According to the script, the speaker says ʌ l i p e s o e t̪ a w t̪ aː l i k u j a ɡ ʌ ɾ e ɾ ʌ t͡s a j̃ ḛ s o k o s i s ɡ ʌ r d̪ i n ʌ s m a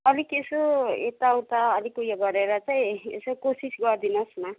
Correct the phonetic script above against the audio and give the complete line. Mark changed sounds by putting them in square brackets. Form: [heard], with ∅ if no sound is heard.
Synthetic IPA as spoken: ʌ l i [k] e s o e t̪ a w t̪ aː l i k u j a ɡ ʌ ɾ e ɾ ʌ t͡s a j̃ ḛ s o k o s i s ɡ ʌ r d̪ i n ʌ s m a